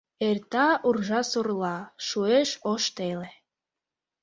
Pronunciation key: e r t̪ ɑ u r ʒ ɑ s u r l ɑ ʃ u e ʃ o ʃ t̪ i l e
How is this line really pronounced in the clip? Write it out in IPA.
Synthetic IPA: e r t̪ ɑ u r ʒ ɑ s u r l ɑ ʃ u e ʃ o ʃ t̪ e l e

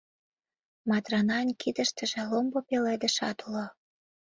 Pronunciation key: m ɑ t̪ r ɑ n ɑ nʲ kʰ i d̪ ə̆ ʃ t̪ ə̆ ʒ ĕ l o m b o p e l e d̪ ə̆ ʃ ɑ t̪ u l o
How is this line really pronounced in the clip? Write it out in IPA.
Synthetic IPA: m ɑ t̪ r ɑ n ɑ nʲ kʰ i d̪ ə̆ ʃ t̪ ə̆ ʒ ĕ l o m b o p e l e d̪ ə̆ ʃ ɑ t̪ u l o

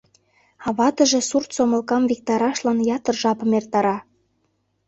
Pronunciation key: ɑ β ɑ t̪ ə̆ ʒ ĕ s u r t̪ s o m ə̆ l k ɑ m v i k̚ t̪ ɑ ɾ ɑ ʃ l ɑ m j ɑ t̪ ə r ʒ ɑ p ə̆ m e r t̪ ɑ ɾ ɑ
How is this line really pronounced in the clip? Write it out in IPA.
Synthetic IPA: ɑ β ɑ t̪ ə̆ ʒ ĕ s u r t̪ s o m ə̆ l k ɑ m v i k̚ t̪ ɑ ɾ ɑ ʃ l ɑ n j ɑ t̪ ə r ʒ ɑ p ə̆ m e r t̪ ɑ ɾ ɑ

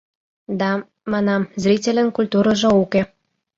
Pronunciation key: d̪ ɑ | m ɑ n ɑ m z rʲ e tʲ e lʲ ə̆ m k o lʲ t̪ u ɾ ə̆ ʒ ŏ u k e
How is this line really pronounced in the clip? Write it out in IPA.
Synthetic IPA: d̪ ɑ | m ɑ n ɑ m z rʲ i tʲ e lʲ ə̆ n k u lʲ t̪ u ɾ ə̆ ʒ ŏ u k e

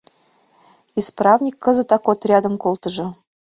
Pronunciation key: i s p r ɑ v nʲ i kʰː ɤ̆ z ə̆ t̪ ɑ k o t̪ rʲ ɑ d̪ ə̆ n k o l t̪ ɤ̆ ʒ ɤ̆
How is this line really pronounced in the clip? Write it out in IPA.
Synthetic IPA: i s p r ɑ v nʲ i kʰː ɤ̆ z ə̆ t̪ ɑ k o t̪ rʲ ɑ d̪ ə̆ m k o l t̪ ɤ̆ ʒ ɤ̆

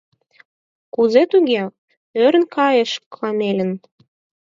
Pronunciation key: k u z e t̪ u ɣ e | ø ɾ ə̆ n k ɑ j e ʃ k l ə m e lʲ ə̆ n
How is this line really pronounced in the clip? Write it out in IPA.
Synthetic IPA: k u z e t̪ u ɣ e | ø ɾ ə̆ n k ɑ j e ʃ k l ɑ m e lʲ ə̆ n

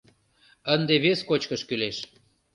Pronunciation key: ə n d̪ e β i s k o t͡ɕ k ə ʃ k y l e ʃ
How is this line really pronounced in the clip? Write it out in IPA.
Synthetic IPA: ə n d̪ e β e s k o t͡ɕ k ə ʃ k y l e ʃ

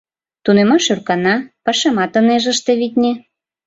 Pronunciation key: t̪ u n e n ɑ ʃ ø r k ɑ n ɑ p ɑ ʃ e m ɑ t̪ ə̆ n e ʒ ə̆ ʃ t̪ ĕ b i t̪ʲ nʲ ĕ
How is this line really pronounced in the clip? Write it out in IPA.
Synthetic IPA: t̪ u n e m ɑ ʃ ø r k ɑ n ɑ p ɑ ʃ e m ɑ t̪ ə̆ n e ʒ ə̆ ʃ t̪ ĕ β i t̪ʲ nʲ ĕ

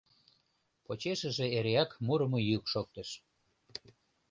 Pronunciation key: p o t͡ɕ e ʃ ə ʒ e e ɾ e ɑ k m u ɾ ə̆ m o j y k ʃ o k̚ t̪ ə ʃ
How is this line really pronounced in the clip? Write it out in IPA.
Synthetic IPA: p o t͡ɕ e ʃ ə ʒ e e ɾ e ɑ k m u ɾ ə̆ m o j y k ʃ o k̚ t̪ ə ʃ

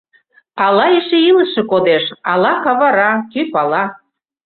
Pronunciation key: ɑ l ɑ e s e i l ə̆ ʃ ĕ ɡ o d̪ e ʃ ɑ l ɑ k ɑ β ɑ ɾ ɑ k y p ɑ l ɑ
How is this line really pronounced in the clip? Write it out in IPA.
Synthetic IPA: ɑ l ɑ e ʃ e i l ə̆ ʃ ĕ k o d̪ e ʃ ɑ l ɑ k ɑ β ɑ ɾ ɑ k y p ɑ l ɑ

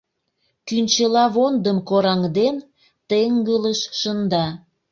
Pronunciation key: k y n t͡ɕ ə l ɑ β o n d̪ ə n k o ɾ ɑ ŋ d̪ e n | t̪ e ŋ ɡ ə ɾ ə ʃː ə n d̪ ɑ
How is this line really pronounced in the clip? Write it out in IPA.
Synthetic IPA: k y n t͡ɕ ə l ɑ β o n d̪ ə m k o ɾ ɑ ŋ d̪ e n | t̪ e ŋ ɡ ə l ə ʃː ə n d̪ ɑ

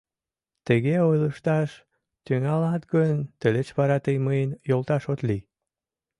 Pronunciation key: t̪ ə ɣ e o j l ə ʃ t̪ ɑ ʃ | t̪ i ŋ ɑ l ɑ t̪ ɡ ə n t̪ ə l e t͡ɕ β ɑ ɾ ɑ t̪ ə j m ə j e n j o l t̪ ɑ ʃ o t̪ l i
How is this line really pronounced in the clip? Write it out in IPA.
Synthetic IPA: t̪ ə ɣ e o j l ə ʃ t̪ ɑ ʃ | t̪ y ŋ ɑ l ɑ t̪ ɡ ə n t̪ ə l e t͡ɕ β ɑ ɾ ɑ t̪ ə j m ə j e n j o l t̪ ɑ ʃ o t̪ l i

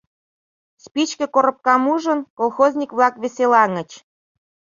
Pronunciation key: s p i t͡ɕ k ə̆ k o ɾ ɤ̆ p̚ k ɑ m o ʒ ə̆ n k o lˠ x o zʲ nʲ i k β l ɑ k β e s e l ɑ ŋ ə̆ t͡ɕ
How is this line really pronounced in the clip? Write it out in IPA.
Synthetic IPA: s p i t͡ɕ k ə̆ k o ɾ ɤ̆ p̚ k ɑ m u ʒ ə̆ n k o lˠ x o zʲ nʲ i k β l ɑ k β e s e l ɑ ŋ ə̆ t͡ɕ

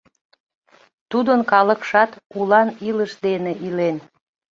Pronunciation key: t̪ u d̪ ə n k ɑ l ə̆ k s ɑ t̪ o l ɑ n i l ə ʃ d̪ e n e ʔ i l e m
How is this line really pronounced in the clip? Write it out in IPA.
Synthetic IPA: t̪ u d̪ ə n k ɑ l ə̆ k ʃ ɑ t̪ u l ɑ n i l ə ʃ d̪ e n e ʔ i l e n

